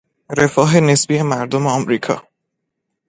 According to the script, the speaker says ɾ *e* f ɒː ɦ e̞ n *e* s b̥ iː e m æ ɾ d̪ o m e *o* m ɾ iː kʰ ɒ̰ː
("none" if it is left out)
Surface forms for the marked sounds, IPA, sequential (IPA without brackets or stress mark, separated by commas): e, e, ɒ